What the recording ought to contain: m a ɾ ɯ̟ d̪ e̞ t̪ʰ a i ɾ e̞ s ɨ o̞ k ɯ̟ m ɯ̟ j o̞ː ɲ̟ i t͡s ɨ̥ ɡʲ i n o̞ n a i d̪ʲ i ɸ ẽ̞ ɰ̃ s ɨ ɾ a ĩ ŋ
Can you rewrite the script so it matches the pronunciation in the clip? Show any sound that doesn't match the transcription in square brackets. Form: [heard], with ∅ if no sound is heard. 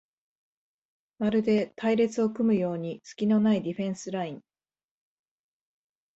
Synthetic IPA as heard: m a ɾ ɯ̟ d̪ e̞ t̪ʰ a i ɾ e̞ [t͡s] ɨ o̞ k ɯ̟ m ɯ̟ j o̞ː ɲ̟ i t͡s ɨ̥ [kʲ] i n o̞ n a i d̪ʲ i ɸ ẽ̞ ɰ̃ s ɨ ɾ a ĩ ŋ